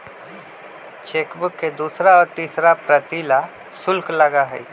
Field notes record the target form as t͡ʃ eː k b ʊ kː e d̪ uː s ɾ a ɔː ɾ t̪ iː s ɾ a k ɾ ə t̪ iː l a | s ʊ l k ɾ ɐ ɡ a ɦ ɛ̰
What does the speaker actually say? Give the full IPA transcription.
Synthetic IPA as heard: t͡ʃ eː k b ʊ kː e d̪ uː s ɾ a ɔː ɾ t̪ iː s ɾ a p ɾ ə t̪ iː l a | s ʊ l k l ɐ ɡ a ɦ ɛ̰